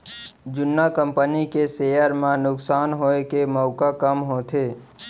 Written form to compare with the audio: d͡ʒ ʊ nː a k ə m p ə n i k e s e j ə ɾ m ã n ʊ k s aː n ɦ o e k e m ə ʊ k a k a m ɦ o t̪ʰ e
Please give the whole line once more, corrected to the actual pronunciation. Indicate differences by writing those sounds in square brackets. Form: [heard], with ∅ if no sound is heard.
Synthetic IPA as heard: d͡ʒ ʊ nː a k ə m p ə n i k e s e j ə ɾ m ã n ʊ k s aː n ɦ o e k e m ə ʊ k a k [ə] m ɦ o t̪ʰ e